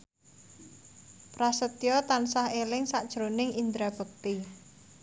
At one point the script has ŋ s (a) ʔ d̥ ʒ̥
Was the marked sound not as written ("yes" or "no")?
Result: no